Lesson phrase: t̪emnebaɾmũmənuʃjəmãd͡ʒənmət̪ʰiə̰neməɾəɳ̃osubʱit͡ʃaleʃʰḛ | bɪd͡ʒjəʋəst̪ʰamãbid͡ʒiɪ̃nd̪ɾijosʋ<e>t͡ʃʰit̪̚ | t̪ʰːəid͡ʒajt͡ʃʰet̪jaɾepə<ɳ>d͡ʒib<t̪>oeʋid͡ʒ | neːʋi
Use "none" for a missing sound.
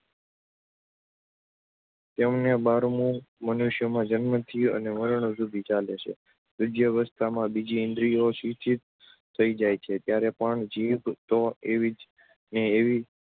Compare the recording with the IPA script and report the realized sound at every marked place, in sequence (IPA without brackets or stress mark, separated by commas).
i, ɳ, t̪